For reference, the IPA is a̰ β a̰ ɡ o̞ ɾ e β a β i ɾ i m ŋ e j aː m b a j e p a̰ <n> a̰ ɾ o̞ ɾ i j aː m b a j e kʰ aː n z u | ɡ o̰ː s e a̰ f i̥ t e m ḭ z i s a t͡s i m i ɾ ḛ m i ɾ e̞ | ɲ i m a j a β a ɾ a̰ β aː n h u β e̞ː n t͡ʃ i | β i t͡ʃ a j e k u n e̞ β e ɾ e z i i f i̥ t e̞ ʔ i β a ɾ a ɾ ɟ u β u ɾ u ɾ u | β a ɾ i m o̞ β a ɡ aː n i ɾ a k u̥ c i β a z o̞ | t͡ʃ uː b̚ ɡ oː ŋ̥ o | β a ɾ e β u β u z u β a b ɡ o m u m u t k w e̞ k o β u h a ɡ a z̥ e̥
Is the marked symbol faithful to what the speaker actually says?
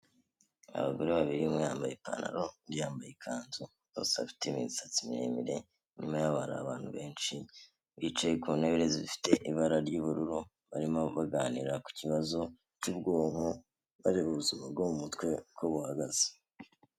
yes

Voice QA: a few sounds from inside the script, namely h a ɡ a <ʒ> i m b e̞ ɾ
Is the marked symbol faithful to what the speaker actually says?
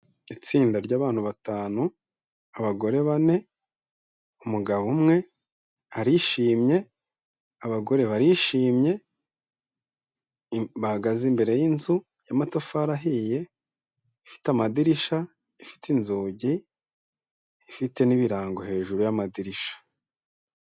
no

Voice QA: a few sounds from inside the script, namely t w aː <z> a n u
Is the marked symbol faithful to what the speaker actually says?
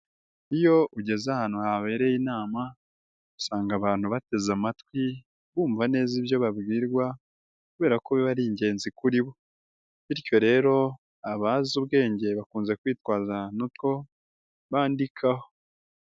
yes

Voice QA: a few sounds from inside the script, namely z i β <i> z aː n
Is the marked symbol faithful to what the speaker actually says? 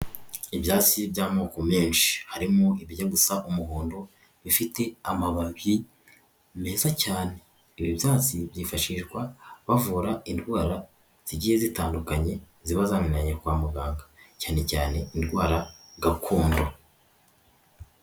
no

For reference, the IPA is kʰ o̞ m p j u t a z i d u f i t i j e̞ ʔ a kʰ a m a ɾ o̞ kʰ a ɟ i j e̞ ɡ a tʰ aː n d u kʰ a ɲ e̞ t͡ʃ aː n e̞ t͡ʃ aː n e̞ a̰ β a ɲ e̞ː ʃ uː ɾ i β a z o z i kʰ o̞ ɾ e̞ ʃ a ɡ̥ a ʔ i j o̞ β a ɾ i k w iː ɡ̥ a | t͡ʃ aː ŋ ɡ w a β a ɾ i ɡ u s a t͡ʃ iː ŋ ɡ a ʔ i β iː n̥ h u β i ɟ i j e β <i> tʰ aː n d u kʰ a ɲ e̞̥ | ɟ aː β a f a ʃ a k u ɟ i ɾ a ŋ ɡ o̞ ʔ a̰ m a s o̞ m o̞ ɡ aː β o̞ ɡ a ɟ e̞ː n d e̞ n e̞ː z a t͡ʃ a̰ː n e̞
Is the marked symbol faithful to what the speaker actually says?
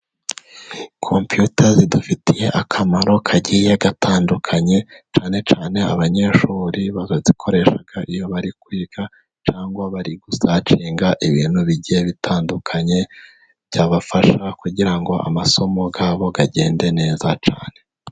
yes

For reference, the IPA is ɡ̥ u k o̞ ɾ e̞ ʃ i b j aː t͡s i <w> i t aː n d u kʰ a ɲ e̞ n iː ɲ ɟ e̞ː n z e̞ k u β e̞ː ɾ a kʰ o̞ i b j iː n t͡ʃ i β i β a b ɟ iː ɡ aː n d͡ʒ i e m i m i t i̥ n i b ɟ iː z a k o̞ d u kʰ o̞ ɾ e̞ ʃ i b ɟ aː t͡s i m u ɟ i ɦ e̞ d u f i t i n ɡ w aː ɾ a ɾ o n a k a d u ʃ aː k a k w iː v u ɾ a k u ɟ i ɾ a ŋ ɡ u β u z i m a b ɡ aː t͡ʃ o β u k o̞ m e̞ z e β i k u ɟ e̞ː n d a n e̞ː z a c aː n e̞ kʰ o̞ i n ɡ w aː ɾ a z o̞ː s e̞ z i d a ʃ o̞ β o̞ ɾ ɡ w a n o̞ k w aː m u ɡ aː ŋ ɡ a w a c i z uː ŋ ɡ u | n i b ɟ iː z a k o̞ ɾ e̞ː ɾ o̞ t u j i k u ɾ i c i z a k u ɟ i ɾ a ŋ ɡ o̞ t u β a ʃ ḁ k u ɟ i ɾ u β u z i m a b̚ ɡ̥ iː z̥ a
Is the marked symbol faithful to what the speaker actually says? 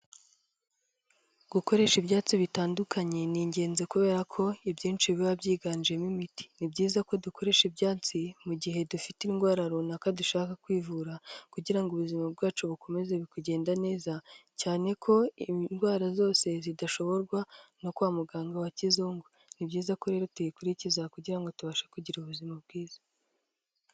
no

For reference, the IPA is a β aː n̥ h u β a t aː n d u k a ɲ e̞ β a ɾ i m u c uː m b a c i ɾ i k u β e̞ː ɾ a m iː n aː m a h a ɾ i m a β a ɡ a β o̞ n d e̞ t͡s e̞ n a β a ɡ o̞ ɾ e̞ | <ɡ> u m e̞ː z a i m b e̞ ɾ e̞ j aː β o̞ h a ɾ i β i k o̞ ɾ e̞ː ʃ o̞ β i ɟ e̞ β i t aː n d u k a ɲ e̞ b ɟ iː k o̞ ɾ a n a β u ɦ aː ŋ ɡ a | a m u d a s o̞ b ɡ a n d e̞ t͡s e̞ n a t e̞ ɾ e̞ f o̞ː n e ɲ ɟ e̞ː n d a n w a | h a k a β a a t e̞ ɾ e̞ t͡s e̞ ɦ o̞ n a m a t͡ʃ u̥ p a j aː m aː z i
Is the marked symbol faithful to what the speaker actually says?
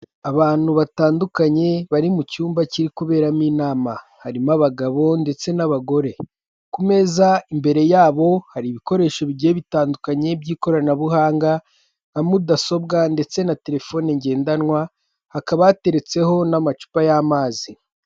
no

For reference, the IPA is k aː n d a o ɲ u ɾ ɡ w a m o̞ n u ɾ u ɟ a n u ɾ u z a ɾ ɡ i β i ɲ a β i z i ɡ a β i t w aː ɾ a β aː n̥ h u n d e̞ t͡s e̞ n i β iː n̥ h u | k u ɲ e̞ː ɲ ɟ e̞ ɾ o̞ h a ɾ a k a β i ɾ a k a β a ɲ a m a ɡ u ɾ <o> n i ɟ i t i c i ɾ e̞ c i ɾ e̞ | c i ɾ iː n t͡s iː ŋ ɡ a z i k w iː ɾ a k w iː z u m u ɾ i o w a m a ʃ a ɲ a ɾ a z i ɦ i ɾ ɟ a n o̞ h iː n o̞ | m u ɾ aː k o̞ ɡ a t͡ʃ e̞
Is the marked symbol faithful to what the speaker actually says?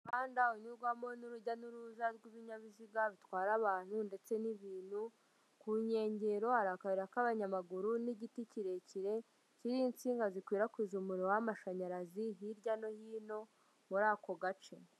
no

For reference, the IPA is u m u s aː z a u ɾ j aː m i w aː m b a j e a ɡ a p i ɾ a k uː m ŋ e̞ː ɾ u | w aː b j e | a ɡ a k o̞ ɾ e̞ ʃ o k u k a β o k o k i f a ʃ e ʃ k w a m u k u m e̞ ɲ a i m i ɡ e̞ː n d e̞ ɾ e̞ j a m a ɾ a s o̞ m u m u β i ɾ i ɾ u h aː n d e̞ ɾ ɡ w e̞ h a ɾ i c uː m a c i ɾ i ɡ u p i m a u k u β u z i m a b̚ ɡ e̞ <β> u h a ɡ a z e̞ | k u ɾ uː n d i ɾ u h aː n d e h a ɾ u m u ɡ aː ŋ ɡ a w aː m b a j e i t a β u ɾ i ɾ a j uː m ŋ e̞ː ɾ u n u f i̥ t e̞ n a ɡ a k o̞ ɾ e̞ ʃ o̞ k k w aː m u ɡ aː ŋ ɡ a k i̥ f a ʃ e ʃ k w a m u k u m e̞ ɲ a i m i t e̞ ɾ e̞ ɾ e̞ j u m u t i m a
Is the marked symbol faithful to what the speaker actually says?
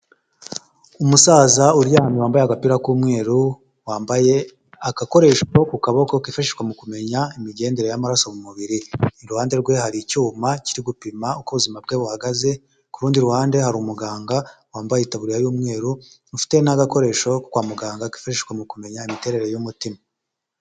yes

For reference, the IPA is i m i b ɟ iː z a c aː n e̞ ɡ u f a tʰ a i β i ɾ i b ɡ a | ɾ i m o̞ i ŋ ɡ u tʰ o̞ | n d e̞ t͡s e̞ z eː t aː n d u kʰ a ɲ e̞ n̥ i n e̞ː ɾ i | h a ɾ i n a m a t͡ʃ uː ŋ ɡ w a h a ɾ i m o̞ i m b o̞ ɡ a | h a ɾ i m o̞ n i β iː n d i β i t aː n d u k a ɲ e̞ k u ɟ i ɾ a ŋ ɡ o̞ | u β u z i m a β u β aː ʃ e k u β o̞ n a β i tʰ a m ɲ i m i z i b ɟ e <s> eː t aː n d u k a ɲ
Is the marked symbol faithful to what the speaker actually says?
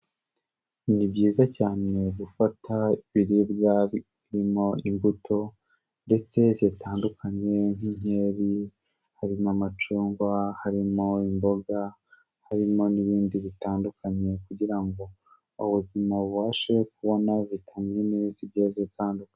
no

